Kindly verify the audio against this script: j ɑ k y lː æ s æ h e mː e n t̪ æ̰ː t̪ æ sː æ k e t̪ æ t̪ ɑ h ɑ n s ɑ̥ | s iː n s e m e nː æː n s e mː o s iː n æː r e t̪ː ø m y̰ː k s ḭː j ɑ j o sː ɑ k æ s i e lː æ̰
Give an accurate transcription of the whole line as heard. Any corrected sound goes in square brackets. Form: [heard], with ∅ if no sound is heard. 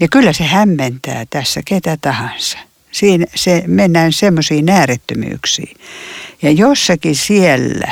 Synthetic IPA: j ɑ k y lː æ s [e] h [æ] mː e n t̪ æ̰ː t̪ æ sː æ k e t̪ æ t̪ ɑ h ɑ n s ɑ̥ | s iː n s e m e nː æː n s e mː o s iː n æː r e t̪ː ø m y̰ː k s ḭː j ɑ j o sː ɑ k [i] s i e lː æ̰